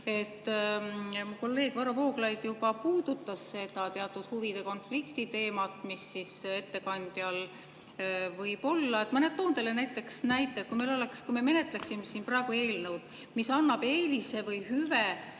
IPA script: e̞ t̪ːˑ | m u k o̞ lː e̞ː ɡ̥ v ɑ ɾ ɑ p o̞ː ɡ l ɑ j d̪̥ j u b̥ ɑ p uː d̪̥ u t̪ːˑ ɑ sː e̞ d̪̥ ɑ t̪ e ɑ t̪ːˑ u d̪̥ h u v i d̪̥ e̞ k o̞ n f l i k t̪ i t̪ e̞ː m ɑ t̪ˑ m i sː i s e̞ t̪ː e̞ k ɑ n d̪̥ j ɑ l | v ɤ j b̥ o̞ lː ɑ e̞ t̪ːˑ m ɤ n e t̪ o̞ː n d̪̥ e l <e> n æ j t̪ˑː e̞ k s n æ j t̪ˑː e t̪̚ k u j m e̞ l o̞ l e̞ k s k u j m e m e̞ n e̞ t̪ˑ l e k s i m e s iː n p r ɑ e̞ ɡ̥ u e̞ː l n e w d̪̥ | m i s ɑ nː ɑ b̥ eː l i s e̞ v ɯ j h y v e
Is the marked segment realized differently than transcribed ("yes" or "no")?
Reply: no